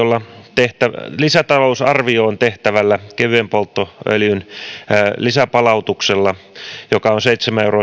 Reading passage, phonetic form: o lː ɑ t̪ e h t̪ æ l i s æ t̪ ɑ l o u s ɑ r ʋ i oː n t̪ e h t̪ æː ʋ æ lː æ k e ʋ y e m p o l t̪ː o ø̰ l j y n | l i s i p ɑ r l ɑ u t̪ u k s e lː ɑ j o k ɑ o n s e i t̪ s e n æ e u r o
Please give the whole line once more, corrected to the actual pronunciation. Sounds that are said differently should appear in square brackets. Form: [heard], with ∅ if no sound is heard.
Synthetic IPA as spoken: o lː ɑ t̪ e h t̪ æ l i s æ t̪ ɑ l o u s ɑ r ʋ i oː n t̪ e h t̪ [æ] ʋ æ lː æ k e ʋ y e m p o l t̪ː o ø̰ l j y n | l i s [æ] p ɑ [∅] l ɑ u t̪ u k s e lː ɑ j o k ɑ o n s e i t̪ s e [m] æ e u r o